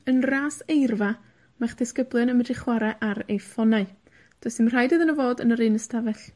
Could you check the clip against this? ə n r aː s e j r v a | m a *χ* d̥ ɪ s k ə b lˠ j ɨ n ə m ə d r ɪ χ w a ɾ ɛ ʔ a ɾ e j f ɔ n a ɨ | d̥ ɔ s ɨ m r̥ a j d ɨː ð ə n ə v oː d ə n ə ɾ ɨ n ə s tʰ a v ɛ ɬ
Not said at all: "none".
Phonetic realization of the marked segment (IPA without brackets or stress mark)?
χ